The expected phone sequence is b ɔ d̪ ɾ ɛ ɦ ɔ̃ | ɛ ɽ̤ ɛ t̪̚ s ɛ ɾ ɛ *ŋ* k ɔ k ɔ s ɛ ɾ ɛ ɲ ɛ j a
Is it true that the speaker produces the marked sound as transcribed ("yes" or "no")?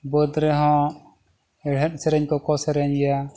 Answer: no